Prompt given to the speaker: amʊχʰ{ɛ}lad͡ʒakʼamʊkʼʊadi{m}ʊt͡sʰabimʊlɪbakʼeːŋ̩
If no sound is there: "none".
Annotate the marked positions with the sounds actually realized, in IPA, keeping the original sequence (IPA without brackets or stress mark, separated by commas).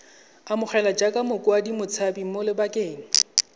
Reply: ɛ, m